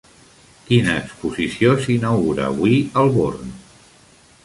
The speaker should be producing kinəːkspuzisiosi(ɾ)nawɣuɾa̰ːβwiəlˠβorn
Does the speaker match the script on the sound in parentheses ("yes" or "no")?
no